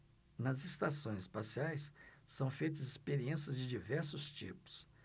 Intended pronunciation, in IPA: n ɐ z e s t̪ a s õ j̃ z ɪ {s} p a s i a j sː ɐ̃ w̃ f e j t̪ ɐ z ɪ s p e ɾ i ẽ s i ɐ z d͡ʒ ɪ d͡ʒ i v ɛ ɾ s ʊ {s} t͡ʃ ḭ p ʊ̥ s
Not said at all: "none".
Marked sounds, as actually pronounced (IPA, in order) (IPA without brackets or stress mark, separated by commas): s, s